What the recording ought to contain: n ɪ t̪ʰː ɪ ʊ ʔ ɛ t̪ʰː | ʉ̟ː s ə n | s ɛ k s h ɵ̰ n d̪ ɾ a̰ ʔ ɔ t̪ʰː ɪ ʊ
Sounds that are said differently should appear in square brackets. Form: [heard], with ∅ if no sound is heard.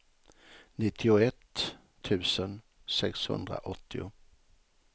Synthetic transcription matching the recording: n ɪ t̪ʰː ɪ ʊ [∅] ɛ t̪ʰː | ʉ̟ː s ə n | s ɛ k s h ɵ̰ n d̪ ɾ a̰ ʔ ɔ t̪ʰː ɪ ʊ